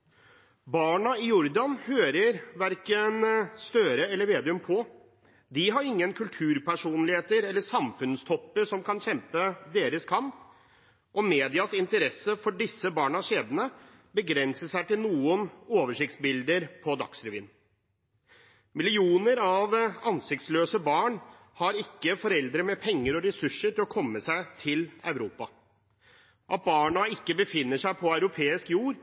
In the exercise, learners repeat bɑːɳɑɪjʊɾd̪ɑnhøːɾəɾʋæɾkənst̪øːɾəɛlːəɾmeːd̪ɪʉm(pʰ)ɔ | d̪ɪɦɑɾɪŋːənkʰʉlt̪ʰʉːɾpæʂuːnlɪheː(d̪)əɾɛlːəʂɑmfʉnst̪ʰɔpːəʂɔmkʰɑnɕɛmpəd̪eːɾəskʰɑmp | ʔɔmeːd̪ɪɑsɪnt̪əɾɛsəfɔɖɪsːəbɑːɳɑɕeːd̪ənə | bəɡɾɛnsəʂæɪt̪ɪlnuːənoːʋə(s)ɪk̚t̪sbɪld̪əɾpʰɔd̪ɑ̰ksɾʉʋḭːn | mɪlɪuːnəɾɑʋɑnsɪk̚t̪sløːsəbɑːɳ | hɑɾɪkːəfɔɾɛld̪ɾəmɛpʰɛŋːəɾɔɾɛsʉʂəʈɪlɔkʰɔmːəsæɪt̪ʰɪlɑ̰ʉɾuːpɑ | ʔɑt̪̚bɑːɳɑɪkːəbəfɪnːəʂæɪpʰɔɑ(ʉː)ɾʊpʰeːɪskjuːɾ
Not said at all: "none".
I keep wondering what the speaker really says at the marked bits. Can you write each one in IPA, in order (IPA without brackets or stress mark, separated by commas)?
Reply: pʰ, t̪, ʂ, ʉ